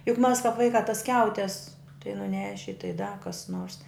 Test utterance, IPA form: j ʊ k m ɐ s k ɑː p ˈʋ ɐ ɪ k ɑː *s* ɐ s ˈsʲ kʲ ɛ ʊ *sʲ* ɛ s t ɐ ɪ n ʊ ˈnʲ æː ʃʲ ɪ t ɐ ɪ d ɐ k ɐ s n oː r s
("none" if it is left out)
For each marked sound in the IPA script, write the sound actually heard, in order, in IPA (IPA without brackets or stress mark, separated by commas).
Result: t, tʲ